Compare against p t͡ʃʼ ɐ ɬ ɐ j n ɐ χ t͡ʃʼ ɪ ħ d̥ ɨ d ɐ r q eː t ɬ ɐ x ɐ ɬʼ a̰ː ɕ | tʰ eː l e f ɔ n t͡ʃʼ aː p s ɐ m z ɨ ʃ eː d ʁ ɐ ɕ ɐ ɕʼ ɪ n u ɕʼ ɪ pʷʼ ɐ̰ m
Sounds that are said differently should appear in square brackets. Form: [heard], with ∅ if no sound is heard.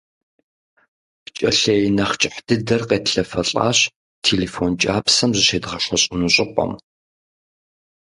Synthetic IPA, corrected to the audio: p t͡ʃʼ ɐ ɬ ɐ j n ɐ χ t͡ʃʼ ɪ ħ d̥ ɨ d ɐ r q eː t ɬ ɐ [f] ɐ ɬʼ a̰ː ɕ | tʰ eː l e f [o] n t͡ʃʼ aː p s ɐ m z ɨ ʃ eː d ʁ ɐ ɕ ɐ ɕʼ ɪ n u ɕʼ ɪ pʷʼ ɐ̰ m

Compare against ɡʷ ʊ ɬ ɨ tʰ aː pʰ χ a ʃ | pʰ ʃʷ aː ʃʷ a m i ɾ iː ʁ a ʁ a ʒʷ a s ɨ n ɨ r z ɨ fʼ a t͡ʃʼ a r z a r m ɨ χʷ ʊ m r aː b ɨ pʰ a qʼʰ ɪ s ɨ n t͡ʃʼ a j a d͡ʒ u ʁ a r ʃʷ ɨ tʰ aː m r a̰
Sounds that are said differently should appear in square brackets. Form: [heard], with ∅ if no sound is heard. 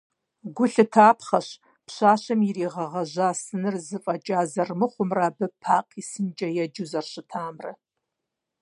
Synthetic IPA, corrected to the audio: ɡʷ ʊ ɬ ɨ tʰ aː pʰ χ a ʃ | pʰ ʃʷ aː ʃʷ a m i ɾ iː ʁ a ʁ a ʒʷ a s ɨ n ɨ r z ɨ fʼ a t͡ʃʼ a [∅] z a r m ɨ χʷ ʊ m r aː b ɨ pʰ a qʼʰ [i] s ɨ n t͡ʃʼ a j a d͡ʒ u [z] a r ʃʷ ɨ tʰ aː m r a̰

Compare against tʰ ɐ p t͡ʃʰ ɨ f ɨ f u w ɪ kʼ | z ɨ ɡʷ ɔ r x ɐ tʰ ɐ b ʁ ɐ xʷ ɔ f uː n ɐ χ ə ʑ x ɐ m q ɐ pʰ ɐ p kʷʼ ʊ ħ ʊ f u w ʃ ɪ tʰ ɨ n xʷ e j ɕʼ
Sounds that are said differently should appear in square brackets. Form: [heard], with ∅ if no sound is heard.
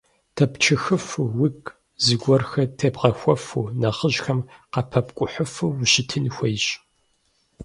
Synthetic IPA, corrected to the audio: tʰ ɐ p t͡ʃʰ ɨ [x] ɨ f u w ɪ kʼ | z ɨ ɡʷ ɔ r x ɐ tʰ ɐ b ʁ ɐ xʷ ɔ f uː n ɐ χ ə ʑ x ɐ m q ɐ pʰ ɐ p kʷʼ ʊ ħ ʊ f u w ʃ ɪ tʰ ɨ n xʷ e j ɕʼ

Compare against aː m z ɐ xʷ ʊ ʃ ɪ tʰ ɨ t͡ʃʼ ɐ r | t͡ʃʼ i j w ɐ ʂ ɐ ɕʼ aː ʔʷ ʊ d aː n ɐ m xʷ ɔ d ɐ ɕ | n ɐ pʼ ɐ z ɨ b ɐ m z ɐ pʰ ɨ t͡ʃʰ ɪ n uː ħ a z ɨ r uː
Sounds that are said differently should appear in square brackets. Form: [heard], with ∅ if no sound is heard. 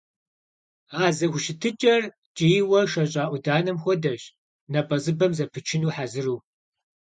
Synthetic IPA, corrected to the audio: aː [∅] z ɐ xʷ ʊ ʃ ɪ tʰ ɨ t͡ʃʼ ɐ r | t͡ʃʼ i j w ɐ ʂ ɐ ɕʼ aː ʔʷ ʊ d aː n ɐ m xʷ ɔ d ɐ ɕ | n ɐ pʼ ɐ z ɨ b ɐ m z ɐ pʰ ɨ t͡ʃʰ ɪ n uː ħ a z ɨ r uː

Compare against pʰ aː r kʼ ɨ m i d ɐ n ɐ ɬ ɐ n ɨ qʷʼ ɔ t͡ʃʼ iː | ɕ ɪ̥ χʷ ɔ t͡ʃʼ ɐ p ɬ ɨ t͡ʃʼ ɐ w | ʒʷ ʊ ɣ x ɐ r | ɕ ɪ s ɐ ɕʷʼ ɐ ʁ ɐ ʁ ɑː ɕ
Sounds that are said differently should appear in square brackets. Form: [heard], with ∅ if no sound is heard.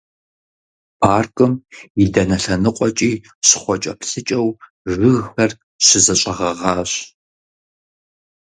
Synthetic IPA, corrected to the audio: pʰ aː r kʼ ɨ m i d ɐ n ɐ ɬ ɐ n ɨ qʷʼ ɔ t͡ʃʼ iː | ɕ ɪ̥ χʷ ɔ t͡ʃʼ ɐ p ɬ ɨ t͡ʃʼ ɐ w | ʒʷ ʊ ɣ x ɐ r | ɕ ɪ [z] ɐ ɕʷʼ ɐ ʁ ɐ ʁ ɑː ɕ

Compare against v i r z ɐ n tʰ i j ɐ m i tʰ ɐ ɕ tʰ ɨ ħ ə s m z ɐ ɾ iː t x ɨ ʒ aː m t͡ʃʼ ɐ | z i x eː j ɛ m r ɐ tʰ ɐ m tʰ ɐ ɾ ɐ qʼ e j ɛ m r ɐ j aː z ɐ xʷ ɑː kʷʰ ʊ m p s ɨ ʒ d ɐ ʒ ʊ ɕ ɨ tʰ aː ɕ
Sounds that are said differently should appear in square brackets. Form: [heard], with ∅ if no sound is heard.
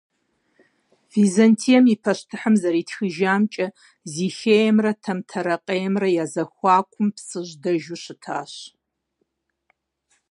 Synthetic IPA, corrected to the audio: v i [∅] z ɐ n tʰ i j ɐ m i [pʰ] ɐ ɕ tʰ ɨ ħ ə [∅] m z ɐ ɾ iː t x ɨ ʒ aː m t͡ʃʼ ɐ | z i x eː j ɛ m r ɐ tʰ ɐ m tʰ ɐ ɾ ɐ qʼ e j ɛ m r ɐ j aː z ɐ xʷ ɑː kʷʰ ʊ m p s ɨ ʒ d ɐ ʒ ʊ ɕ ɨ tʰ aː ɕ

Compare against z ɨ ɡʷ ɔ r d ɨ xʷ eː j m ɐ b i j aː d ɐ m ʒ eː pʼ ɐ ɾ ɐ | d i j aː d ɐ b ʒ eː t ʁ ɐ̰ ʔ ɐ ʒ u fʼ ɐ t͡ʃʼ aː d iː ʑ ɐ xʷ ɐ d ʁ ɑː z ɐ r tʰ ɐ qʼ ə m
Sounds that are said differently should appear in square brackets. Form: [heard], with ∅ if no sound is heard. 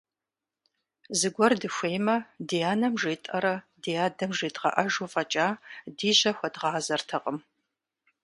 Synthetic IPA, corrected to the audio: z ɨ ɡʷ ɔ r d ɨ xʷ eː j m ɐ [d] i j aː [n] ɐ m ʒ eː [tʼ] ɐ ɾ ɐ | d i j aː d ɐ [m] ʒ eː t ʁ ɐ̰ ʔ ɐ ʒ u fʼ ɐ t͡ʃʼ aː d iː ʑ ɐ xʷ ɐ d ʁ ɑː z ɐ r tʰ ɐ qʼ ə m

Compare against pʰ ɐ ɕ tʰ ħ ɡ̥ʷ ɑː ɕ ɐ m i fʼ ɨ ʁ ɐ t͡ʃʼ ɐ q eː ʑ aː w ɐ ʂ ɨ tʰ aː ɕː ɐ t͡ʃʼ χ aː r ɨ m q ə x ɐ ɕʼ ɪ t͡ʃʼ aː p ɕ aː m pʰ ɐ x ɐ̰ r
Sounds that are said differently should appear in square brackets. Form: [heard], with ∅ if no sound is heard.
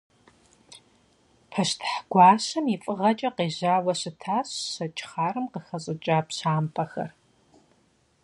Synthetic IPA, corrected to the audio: pʰ ɐ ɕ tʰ ħ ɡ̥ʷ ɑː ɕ ɐ m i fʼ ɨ ʁ ɐ t͡ʃʼ ɐ q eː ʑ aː w ɐ [ɕ] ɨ tʰ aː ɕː ɐ t͡ʃʼ χ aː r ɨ m q ə x ɐ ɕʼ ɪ t͡ʃʼ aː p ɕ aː m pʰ ɐ x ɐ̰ r

